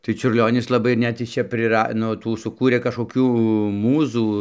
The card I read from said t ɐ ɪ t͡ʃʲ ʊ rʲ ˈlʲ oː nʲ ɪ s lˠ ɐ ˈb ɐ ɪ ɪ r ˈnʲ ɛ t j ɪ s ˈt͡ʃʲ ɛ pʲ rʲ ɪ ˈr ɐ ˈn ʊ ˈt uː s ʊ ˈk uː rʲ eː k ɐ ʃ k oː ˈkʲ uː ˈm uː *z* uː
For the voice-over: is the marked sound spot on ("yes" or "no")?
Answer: yes